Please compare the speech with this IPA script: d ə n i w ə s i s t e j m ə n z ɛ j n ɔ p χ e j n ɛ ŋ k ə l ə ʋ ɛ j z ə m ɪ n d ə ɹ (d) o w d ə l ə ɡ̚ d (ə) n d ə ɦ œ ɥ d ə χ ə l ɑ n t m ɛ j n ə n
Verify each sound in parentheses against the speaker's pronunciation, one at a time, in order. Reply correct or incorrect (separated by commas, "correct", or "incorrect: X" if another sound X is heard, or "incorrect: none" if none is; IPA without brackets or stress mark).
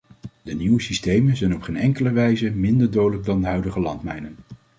correct, incorrect: ɑ